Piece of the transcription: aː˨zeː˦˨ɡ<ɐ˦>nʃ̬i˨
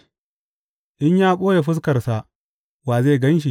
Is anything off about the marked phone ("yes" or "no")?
no